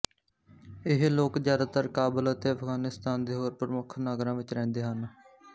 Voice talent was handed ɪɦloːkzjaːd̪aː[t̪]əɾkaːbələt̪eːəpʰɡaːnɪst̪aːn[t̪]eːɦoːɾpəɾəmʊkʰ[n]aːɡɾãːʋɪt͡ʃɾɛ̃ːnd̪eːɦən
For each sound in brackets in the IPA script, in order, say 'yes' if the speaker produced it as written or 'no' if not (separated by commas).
yes, no, yes